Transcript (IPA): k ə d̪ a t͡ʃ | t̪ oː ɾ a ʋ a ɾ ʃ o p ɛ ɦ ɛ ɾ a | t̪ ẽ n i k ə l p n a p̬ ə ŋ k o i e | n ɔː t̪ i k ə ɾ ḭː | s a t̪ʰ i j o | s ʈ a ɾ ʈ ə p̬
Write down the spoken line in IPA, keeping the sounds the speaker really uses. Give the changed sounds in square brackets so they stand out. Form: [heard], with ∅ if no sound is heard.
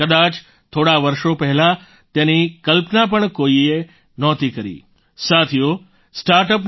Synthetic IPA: k ə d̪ a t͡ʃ | [t̪ʰ] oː [ɽ] a ʋ [ə] ɾ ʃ o p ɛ ɦ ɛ [l] a | t̪ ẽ n i k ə l p n a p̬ ə [ɳ] k o i e | n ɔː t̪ i k ə ɾ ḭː | s a t̪ʰ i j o | s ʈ a ɾ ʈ ə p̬

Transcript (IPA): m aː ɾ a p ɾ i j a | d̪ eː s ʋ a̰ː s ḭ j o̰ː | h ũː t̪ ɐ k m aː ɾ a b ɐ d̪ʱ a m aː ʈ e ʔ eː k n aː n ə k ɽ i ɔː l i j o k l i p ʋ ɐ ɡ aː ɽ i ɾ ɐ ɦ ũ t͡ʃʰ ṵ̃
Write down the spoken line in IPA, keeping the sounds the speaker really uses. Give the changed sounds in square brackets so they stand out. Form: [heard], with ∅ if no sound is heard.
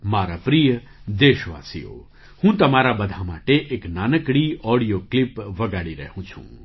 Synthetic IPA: m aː ɾ a p ɾ i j [ə] | d̪ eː [ʃ] ʋ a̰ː s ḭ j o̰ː | h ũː t̪ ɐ [∅] m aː ɾ a b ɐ d̪ʱ a m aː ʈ e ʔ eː k n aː n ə k ɽ i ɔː [ɽ] i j o k l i p ʋ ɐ ɡ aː ɽ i ɾ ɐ ɦ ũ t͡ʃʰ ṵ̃

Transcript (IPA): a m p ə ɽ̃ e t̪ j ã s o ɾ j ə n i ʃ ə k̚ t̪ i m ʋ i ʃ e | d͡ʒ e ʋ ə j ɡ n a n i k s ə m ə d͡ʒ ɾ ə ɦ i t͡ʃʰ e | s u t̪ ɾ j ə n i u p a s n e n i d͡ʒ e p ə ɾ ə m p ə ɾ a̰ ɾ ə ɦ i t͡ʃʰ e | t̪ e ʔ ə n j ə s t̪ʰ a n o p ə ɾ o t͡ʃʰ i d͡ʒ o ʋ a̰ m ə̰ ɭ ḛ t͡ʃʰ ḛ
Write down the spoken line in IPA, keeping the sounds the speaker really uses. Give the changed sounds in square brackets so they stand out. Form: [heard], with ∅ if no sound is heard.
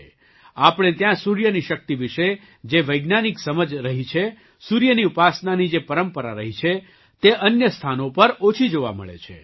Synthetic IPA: a [∅] p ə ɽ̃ e t̪ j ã s [u] ɾ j ə n i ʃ ə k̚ t̪ i [∅] ʋ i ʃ e | d͡ʒ e ʋ ə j ɡ n a n i k s ə m ə d͡ʒ ɾ ə ɦ i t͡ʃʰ e | s u [∅] ɾ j ə n i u p a s n [a] n i d͡ʒ e p ə ɾ ə m p ə ɾ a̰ ɾ ə ɦ i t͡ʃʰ e | t̪ e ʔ ə n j ə s t̪ʰ a n o p ə ɾ o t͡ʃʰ i d͡ʒ o ʋ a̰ m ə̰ ɭ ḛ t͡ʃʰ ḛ

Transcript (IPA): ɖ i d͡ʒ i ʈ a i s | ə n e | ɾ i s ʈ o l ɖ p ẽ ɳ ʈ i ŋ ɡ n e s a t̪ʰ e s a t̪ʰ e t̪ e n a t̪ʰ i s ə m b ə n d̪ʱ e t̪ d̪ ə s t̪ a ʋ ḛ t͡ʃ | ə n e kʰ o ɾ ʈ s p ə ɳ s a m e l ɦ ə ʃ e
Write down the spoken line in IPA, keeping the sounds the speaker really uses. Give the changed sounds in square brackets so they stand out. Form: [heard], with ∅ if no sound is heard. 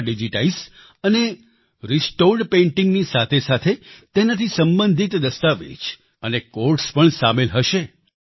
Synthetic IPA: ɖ i d͡ʒ i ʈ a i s | ə n e | ɾ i s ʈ o [ɾ] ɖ p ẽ ɳ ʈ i ŋ ɡ n [i] s a t̪ʰ e s a t̪ʰ e t̪ e n a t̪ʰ i s ə m b ə n d̪ʱ [i] t̪ d̪ ə s t̪ a ʋ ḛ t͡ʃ | ə n e [k] o ɾ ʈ s p ə ɳ s a m e l ɦ ə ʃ e

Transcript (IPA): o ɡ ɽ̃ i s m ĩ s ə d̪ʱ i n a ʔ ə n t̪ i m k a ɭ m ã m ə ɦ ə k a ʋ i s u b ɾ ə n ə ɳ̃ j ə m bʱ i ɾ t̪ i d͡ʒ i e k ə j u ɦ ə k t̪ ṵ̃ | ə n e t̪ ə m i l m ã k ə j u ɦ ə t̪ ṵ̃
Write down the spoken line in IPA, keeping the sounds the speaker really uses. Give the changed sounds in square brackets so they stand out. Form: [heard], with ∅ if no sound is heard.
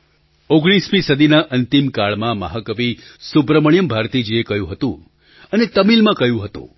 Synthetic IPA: o ɡ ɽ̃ i s m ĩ s ə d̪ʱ i n a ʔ ə n t̪ i m k a ɭ m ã m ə ɦ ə k [ə] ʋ i s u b ɾ ə [m] ə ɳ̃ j ə m bʱ [a] ɾ t̪ i d͡ʒ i e k ə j [ũ] ɦ ə [∅] t̪ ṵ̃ | ə n e t̪ ə m i l m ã k ə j [ũ] ɦ ə t̪ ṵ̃

